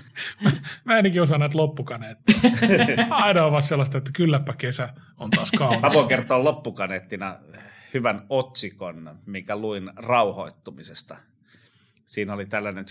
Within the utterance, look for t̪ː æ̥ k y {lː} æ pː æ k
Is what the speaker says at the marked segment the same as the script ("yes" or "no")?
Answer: yes